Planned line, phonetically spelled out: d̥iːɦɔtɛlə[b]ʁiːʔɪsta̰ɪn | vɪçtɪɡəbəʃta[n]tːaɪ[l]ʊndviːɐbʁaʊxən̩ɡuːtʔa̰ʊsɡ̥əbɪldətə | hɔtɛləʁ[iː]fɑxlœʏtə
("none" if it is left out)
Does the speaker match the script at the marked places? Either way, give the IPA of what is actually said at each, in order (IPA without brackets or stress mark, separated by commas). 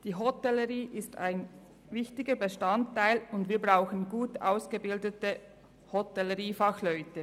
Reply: none, n, l, iː